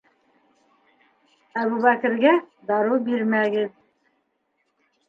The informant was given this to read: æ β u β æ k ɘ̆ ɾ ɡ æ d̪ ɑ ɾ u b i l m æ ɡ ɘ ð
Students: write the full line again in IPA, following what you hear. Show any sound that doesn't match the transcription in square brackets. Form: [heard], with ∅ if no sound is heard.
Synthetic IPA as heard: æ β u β æ k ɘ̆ ɾ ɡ æ d̪ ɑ ɾ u b i [ɾ] m æ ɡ ɘ ð